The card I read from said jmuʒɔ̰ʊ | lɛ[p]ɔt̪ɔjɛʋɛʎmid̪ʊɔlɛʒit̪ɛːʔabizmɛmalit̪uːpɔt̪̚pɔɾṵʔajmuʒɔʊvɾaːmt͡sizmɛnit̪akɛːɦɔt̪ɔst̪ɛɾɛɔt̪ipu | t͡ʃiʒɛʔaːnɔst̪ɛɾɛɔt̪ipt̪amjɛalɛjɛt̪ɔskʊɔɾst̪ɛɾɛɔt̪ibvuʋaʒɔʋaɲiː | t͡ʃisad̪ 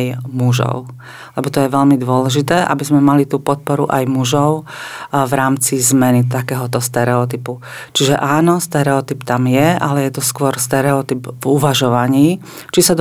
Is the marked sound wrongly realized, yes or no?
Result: yes